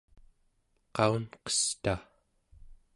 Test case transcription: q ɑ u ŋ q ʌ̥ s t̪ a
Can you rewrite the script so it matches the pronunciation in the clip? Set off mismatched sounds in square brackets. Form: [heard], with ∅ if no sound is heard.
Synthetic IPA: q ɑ u [n] q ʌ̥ s t̪ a